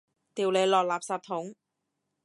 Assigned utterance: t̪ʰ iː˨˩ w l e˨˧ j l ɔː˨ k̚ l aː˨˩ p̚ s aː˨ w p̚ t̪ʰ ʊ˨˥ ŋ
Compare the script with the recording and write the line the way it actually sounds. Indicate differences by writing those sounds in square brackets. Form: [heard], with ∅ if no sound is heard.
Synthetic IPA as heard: [t̪] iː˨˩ w l e˨˧ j l ɔː˨ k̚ l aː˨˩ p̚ s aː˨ [∅] p̚ t̪ʰ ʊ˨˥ ŋ